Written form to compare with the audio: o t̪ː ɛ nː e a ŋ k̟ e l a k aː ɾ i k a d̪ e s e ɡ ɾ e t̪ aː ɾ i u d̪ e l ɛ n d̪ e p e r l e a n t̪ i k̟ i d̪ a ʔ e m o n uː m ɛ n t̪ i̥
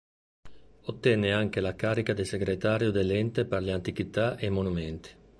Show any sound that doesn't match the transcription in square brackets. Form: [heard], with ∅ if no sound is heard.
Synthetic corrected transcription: o t̪ː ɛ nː e a ŋ k̟ e l a k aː ɾ i k a d̪ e s e ɡ ɾ e t̪ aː ɾ [j] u d̪ e l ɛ n [t̪] e p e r l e a n t̪ i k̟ i [t̪] a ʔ e m o n [u] m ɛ n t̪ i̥

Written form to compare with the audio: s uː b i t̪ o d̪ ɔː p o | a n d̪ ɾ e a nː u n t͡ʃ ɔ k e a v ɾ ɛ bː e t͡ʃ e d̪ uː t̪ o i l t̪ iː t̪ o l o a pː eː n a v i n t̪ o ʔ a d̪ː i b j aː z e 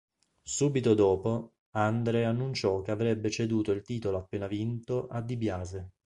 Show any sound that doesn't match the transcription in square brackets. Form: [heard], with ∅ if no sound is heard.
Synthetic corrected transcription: s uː b i t̪ o d̪ ɔː p o | a n d̪ ɾ e a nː u n t͡ʃ ɔ k e a v ɾ ɛ bː e t͡ʃ e d̪ uː t̪ o i l t̪ iː t̪ o l o a pː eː n a v i n t̪ o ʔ a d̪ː i b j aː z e

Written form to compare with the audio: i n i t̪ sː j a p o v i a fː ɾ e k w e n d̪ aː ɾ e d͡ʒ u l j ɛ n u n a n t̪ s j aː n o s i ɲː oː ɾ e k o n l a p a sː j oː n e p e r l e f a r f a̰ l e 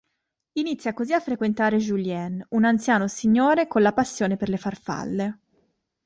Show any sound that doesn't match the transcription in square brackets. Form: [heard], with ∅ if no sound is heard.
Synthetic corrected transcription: i n i t̪ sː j a [k] o [z] i a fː ɾ e k w e n [t̪] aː ɾ e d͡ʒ u l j ɛ n u n a n t̪ s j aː n o s i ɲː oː ɾ e k o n l a p a sː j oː n e p e r l e f a r f a̰ [lː] e

